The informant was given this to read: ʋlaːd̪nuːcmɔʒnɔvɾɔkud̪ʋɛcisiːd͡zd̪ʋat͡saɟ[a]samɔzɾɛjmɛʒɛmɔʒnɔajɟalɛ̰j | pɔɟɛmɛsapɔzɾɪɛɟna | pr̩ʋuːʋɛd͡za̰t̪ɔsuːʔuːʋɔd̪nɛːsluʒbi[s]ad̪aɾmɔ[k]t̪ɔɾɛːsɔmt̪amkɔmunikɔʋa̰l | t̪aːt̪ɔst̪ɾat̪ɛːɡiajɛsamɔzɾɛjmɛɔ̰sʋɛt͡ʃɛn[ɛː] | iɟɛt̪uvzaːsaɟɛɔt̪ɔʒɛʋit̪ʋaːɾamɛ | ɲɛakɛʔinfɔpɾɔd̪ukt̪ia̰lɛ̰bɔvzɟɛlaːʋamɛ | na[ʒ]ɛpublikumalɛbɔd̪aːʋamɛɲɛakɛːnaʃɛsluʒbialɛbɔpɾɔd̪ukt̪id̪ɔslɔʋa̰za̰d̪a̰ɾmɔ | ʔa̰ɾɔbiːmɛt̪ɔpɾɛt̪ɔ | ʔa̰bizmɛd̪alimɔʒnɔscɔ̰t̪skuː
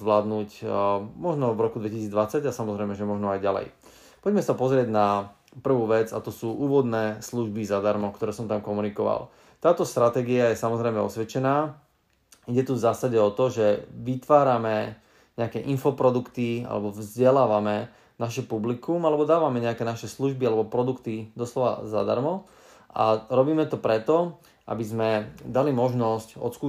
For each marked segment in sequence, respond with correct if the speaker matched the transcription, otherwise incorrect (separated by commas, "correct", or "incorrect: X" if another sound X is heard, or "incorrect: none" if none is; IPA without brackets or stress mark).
correct, incorrect: z, correct, incorrect: aː, incorrect: ʃ